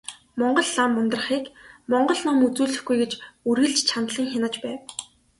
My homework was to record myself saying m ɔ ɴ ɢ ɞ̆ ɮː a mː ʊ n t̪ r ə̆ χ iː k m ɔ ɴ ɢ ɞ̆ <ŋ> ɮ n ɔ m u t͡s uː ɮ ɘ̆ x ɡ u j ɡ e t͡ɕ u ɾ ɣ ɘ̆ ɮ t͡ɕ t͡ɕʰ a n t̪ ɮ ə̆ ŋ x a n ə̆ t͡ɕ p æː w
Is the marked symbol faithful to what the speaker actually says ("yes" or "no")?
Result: no